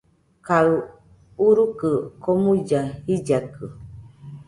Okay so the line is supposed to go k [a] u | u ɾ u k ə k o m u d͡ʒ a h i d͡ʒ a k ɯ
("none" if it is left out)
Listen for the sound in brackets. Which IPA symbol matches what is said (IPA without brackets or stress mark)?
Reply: a